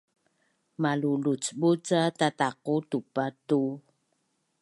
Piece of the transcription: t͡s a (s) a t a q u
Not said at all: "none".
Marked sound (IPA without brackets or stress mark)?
t